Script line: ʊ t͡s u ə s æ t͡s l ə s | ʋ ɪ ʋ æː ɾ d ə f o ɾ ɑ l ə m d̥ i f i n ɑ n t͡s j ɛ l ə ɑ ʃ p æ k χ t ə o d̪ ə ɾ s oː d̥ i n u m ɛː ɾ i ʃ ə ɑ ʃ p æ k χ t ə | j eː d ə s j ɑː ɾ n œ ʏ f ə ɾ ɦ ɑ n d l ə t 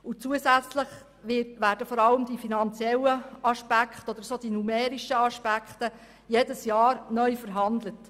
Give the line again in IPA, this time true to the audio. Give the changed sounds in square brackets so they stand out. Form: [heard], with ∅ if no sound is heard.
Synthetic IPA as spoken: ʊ t͡s u ə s æ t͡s l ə [χ] | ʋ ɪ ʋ æː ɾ d ə f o ɾ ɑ l ə m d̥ i f i n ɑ n t͡s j ɛ l ə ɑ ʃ p æ k χ t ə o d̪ ə ɾ s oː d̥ i n u m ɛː ɾ i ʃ ə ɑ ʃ p æ k χ t ə | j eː d ə s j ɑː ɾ n œ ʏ f ə ɾ ɦ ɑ n d l ə t